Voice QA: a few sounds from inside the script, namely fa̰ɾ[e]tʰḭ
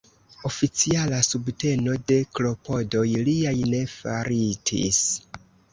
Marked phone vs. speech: incorrect: i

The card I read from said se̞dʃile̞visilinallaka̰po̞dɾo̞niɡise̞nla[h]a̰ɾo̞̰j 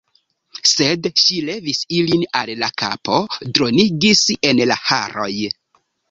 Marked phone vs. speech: correct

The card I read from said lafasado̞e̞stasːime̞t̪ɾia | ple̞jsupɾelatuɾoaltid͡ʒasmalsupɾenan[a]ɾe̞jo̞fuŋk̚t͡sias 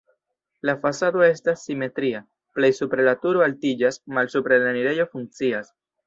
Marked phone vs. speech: incorrect: i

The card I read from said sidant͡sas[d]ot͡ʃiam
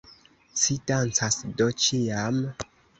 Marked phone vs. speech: correct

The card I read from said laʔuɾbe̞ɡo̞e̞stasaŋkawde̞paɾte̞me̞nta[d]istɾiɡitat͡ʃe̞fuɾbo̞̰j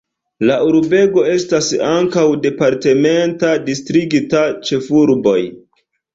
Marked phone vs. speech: correct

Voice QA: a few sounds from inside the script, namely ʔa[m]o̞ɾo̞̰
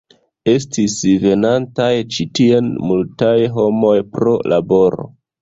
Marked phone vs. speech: incorrect: b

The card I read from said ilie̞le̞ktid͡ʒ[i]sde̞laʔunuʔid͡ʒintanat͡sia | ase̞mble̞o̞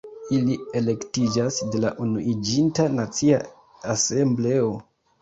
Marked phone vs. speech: incorrect: a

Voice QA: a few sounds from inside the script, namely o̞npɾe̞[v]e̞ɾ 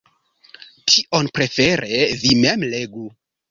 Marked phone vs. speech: incorrect: f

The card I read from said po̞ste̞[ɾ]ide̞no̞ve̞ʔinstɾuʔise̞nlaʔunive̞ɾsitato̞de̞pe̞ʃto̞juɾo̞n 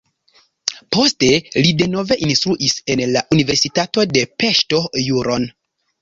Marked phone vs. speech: incorrect: l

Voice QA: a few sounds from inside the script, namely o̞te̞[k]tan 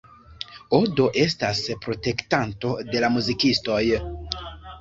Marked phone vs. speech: correct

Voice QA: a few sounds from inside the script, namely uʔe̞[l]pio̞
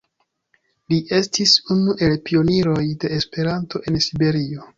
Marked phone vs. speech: correct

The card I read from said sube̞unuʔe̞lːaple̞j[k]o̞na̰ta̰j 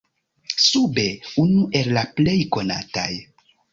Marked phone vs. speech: correct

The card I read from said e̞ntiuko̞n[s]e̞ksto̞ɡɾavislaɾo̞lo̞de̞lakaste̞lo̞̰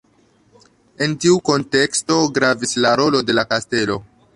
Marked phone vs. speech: incorrect: t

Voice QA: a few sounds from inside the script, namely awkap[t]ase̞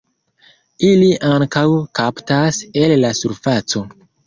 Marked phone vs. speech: correct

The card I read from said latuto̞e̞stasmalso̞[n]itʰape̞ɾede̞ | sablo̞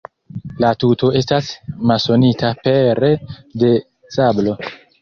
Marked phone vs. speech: correct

